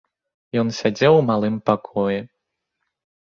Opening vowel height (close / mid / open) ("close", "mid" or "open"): mid